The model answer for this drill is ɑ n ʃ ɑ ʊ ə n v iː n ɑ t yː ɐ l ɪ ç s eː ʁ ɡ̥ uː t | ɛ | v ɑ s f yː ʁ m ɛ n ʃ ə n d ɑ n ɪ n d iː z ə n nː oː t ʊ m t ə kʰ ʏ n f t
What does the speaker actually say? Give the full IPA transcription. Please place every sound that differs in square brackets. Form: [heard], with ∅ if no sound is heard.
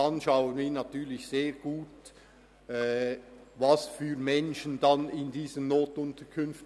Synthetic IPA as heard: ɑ n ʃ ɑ ʊ ə n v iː n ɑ t yː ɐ l ɪ ç s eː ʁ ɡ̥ uː t | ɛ | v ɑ s f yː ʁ m ɛ n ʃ ə n d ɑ n ɪ n d iː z ə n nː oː t ʊ [n] t ə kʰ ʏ n f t